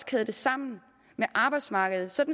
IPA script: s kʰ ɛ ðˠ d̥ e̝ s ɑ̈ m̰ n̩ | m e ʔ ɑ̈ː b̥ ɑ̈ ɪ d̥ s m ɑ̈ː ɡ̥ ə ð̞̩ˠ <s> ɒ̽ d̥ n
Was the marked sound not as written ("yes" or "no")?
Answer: no